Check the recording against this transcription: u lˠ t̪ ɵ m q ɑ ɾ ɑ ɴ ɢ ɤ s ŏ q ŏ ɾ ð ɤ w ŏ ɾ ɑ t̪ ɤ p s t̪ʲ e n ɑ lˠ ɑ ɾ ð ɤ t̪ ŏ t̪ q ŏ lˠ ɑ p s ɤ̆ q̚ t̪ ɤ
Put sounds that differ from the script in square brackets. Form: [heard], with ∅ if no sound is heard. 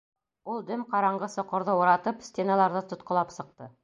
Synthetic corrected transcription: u lˠ [d̪] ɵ m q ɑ ɾ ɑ ɴ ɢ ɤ s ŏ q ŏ ɾ ð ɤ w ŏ ɾ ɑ t̪ ɤ p s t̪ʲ e n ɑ lˠ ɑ ɾ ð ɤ t̪ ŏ t̪ q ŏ lˠ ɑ p s ɤ̆ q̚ t̪ ɤ